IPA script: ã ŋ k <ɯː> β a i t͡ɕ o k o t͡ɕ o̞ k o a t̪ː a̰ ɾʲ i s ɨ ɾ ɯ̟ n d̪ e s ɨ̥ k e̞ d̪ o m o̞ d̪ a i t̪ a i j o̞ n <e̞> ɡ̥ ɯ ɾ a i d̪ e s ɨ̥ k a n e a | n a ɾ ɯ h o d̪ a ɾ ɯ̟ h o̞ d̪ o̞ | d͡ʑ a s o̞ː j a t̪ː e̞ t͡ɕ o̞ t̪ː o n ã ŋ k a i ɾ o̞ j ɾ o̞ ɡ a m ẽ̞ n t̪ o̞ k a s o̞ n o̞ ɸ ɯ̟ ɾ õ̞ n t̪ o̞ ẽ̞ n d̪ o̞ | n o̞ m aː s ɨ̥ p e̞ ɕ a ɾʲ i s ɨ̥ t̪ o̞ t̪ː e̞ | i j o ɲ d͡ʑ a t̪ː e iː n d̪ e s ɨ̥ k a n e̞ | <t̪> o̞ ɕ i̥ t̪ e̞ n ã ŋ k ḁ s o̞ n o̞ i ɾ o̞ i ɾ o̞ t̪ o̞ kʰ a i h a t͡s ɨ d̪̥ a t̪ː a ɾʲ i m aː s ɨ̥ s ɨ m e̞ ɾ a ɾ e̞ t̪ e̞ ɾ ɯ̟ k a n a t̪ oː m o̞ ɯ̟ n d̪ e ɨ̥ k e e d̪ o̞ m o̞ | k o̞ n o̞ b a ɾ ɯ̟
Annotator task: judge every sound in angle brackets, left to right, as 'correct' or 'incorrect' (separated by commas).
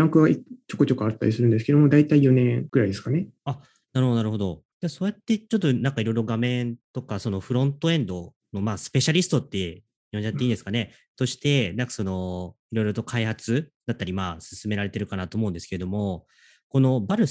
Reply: incorrect, incorrect, correct